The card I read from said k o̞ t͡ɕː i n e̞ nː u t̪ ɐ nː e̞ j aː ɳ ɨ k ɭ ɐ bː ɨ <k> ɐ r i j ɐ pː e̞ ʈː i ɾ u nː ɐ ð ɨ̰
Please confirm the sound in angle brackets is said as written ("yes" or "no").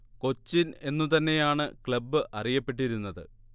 no